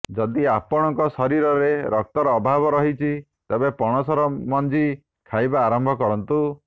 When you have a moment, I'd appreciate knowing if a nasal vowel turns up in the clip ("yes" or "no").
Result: no